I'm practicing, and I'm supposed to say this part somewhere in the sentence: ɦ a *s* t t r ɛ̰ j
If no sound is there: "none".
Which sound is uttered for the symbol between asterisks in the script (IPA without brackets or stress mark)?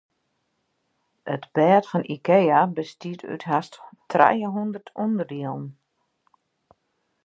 s